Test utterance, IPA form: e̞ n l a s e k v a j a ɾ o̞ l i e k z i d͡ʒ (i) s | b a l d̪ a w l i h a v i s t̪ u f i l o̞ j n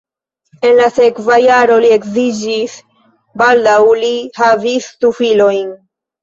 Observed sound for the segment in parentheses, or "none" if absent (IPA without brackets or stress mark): i